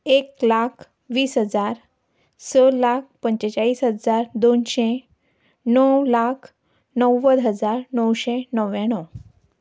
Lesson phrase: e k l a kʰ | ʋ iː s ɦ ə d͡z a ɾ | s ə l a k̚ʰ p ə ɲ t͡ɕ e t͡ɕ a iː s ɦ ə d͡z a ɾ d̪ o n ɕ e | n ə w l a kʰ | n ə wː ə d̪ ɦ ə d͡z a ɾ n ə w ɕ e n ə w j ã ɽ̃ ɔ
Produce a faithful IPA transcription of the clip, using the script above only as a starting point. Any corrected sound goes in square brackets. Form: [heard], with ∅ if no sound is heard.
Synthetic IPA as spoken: e k l a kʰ | ʋ iː s ɦ ə d͡z a ɾ | s ə l a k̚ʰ p ə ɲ t͡ɕ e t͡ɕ a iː s ɦ ə d͡z a ɾ d̪ o n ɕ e | n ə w l a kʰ | n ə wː ə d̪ ɦ ə d͡z a ɾ n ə w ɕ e n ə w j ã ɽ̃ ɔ